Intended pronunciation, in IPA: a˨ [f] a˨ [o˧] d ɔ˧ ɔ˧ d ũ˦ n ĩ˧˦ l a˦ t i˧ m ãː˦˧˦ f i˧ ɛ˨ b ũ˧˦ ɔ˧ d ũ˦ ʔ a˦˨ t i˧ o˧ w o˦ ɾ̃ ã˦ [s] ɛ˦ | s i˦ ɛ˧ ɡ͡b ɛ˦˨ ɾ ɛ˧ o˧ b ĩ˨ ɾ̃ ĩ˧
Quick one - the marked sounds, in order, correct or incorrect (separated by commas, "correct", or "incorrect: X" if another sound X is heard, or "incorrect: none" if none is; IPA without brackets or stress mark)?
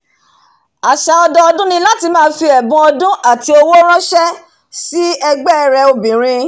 incorrect: ʃ, incorrect: ɔ˧, incorrect: ʃ